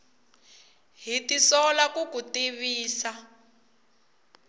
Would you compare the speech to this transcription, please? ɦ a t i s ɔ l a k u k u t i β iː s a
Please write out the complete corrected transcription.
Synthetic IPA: ɦ i t i s ɔ l a k u k u t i β iː s a